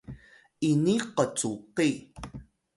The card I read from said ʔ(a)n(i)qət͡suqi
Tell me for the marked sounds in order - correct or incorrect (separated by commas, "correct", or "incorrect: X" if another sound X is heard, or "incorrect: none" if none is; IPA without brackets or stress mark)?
incorrect: i, correct